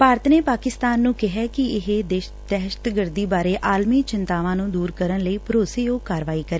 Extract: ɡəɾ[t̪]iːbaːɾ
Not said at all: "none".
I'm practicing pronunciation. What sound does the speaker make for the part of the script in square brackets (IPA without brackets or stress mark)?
d̪